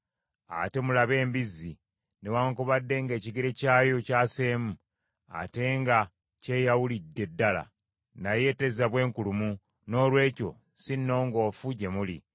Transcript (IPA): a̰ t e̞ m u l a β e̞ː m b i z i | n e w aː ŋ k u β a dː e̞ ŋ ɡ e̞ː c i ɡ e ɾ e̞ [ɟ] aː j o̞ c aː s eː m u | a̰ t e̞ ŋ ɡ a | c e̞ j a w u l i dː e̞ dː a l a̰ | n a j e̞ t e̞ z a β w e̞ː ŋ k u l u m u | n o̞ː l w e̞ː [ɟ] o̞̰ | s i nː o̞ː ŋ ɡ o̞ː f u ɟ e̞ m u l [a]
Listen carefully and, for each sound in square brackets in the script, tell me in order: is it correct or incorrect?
incorrect, incorrect, incorrect

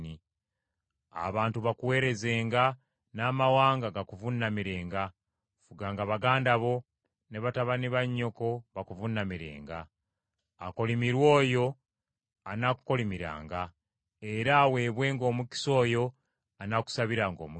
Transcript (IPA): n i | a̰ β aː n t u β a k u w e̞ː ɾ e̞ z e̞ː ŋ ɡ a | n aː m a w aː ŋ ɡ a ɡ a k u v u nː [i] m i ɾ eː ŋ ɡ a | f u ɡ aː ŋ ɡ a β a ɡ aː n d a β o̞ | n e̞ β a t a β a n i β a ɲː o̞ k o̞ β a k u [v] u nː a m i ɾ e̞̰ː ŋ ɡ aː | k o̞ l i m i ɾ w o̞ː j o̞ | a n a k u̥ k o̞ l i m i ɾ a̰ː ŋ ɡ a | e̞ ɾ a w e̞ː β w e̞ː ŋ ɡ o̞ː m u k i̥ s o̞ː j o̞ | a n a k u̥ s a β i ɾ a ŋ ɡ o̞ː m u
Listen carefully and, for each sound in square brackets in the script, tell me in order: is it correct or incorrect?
incorrect, correct

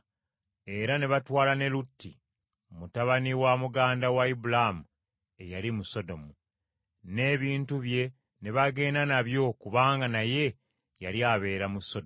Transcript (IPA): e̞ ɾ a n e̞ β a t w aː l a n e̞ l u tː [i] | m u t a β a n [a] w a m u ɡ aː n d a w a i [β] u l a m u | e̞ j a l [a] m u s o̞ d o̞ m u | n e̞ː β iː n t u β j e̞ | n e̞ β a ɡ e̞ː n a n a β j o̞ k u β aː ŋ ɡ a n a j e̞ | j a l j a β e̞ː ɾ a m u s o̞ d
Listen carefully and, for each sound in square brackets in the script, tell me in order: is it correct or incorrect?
correct, incorrect, incorrect, incorrect

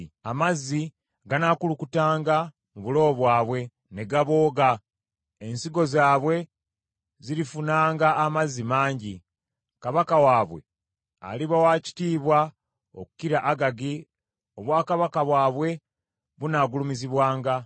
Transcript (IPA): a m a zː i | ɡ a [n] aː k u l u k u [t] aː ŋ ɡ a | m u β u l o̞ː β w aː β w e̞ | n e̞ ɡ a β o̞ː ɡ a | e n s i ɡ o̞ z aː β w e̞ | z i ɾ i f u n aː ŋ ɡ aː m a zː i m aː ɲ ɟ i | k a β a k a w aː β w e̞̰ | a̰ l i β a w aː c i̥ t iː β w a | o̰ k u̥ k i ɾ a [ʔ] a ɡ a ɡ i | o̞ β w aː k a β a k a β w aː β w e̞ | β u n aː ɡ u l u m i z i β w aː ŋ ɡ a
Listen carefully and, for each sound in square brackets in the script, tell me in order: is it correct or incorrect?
correct, correct, correct

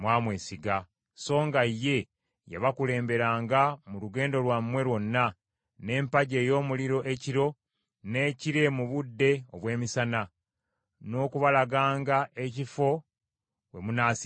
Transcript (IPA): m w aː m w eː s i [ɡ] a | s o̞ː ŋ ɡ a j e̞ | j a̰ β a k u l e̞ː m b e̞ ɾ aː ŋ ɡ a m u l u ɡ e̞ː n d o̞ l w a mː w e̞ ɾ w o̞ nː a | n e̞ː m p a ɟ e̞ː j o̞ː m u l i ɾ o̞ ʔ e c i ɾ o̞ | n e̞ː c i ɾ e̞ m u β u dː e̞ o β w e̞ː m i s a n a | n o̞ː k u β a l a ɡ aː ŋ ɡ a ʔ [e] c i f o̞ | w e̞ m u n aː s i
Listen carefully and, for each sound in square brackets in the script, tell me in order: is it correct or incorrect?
correct, correct

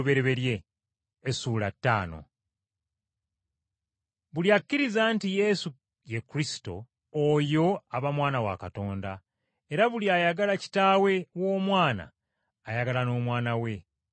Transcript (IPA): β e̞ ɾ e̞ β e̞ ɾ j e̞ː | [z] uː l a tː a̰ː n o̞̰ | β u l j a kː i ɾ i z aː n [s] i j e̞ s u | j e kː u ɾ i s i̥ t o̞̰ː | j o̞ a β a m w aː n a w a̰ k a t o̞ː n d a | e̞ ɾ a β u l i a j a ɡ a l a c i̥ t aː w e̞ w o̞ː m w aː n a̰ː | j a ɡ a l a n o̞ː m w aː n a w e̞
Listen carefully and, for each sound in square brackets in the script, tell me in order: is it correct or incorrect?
incorrect, incorrect

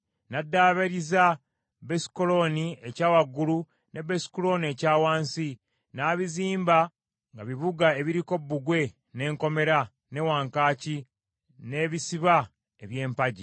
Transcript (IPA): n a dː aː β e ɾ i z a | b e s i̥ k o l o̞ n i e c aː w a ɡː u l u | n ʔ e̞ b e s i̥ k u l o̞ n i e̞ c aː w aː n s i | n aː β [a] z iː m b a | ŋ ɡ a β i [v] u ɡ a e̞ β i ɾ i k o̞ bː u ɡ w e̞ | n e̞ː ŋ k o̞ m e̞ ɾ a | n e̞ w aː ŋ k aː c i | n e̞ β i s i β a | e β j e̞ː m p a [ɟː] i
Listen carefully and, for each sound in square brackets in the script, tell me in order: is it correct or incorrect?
incorrect, incorrect, incorrect

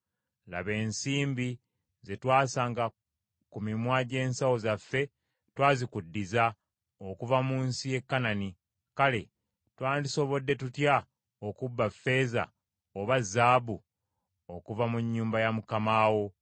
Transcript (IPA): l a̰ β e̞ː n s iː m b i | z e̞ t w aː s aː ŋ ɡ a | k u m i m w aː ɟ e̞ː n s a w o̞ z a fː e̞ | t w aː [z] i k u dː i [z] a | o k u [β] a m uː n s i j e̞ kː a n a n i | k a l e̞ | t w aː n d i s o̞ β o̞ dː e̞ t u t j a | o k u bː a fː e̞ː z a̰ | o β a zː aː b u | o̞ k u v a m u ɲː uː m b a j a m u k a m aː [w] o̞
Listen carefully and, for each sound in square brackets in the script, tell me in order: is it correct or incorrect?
correct, correct, incorrect, correct

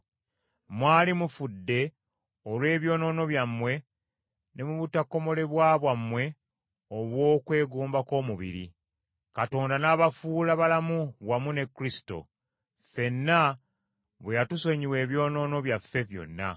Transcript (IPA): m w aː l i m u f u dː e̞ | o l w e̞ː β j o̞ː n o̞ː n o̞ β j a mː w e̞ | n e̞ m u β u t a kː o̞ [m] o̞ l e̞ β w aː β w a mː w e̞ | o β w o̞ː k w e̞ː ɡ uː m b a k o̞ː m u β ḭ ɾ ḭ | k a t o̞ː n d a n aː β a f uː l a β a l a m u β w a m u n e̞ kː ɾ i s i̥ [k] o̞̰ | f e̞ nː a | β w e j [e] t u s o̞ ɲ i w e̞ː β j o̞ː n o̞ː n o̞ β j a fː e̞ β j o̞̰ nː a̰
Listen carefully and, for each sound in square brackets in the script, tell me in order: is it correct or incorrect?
correct, incorrect, incorrect

